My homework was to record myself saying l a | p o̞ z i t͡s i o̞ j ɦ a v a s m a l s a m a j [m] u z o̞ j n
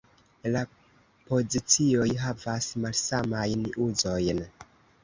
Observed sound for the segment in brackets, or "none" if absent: n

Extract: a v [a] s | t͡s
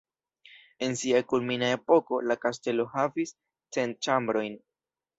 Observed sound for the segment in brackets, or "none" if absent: i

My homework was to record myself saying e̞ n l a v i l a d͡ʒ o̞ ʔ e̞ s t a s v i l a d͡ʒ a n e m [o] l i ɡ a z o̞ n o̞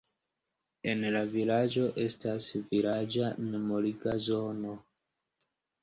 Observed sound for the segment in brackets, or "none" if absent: o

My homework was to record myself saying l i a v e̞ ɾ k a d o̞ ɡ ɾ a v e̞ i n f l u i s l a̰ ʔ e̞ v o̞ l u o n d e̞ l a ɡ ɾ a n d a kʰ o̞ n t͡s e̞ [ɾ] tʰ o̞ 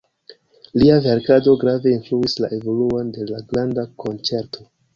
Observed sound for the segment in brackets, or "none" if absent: ɾ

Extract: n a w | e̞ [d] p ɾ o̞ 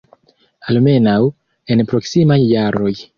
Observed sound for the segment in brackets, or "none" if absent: n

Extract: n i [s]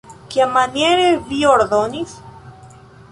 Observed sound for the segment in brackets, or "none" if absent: s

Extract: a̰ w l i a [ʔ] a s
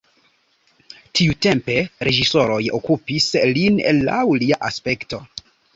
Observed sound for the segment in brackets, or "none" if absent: ʔ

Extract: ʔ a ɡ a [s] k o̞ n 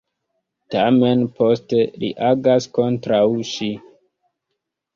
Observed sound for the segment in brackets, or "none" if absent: s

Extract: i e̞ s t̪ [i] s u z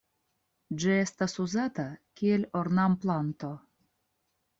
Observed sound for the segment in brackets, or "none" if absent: a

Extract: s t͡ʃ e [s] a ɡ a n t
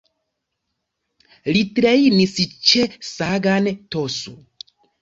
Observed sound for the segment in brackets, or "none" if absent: s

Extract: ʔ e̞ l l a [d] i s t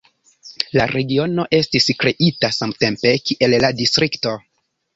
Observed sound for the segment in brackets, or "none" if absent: d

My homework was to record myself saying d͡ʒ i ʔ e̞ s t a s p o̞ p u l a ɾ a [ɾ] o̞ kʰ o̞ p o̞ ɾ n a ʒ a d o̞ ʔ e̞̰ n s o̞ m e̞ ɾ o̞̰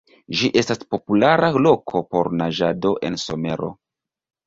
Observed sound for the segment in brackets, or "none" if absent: l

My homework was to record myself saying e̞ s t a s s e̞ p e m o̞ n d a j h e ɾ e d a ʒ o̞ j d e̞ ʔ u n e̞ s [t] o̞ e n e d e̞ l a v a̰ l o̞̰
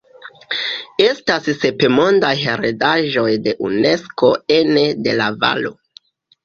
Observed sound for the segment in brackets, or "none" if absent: k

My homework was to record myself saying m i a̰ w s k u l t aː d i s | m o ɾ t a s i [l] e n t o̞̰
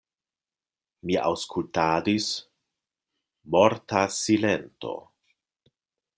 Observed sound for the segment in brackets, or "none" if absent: l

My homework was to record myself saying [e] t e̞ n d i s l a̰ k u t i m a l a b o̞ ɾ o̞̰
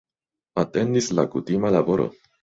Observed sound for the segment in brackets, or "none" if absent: a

